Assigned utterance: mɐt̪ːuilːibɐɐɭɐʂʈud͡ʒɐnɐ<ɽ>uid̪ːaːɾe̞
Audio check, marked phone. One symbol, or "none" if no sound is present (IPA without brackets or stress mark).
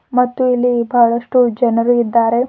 ɾ